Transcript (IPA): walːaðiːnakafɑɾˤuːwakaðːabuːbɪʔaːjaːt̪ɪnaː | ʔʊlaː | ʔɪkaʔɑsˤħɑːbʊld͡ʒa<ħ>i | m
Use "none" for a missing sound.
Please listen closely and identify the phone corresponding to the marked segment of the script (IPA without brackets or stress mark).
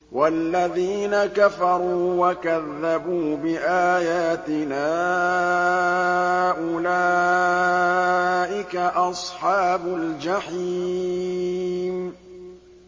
ħ